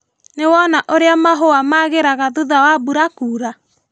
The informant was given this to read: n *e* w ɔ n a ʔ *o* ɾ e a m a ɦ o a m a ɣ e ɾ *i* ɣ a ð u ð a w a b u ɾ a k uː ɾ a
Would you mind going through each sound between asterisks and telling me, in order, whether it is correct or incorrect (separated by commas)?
correct, correct, incorrect